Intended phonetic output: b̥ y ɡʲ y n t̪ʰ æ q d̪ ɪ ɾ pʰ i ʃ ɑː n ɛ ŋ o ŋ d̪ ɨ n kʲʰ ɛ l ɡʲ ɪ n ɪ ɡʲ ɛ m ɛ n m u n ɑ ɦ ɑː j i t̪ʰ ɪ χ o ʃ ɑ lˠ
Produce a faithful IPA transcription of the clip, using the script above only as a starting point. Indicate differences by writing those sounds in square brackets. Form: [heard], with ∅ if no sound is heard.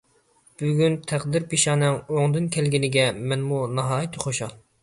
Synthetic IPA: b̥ y ɡʲ y n t̪ʰ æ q d̪ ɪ ɾ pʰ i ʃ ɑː n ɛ ŋ o ŋ d̪ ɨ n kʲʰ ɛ l ɡʲ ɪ n ɪ ɡʲ ɛ m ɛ n m u n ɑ ɦ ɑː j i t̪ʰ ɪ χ o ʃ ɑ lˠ